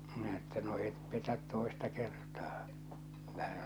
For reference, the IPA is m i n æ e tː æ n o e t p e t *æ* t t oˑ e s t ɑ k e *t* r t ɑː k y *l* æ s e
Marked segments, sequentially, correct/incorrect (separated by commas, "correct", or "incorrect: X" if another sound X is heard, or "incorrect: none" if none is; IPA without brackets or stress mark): correct, incorrect: none, incorrect: lː